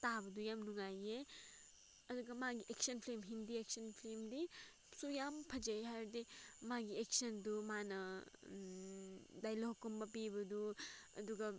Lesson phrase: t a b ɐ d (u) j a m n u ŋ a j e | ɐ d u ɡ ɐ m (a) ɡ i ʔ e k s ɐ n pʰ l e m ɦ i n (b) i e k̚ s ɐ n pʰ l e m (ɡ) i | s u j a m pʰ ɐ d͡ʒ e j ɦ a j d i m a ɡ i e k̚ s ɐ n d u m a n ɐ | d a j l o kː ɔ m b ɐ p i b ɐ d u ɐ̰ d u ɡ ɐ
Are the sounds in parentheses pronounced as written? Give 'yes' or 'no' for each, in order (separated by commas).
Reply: yes, yes, no, no